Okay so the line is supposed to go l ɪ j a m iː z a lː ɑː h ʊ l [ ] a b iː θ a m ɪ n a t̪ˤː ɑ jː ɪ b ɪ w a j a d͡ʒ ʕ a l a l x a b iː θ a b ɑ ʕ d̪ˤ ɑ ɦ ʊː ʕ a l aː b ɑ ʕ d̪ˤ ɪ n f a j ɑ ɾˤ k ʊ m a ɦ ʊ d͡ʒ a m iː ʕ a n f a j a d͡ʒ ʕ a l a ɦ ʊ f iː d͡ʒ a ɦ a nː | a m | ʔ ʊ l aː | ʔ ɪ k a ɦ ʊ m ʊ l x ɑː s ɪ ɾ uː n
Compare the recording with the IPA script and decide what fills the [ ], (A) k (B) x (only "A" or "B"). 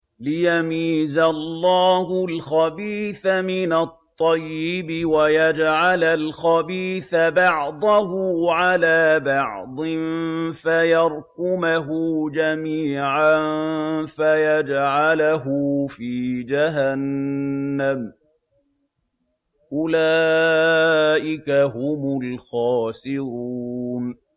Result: B